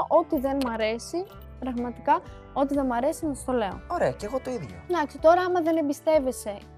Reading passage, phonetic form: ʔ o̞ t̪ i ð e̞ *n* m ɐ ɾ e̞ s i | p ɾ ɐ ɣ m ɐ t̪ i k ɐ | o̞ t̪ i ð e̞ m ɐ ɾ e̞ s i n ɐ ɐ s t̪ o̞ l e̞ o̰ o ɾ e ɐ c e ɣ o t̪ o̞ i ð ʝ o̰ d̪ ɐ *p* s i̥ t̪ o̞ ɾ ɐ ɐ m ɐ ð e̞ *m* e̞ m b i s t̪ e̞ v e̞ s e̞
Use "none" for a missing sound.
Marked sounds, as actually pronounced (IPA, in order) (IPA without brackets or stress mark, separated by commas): n, k, n